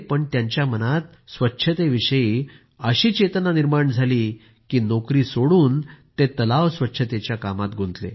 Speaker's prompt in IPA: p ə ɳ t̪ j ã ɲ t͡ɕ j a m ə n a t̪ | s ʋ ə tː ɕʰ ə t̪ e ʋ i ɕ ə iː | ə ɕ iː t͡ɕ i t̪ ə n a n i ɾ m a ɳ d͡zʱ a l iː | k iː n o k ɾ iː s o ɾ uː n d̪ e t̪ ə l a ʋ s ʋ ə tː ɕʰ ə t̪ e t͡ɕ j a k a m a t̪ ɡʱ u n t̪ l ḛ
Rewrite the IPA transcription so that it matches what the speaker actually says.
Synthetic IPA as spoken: p ə ɳ t̪ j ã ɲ t͡ɕ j a m ə n a t̪ | s ʋ ə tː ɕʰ ə t̪ e ʋ i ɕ ə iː | ə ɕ iː t͡ɕ e t̪ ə n a n i ɾ m a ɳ d͡zʱ a l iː | k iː n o k ɾ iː s o ɽ uː n t̪ e t̪ ə l a ʋ s ʋ ə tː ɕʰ ə t̪ e t͡ɕ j a k a m a t̪ ɡʱ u n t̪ l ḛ